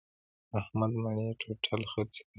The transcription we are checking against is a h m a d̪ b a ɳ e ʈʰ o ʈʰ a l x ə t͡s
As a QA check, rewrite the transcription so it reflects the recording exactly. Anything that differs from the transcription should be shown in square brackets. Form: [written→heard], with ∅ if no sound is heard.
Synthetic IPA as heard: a h m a d̪ [b→m] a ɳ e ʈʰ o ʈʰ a l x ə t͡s